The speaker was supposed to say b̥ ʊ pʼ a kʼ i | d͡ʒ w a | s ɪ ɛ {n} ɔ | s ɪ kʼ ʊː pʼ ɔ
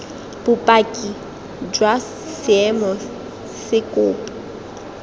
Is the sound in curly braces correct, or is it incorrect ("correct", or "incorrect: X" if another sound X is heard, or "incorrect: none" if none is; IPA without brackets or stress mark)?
incorrect: m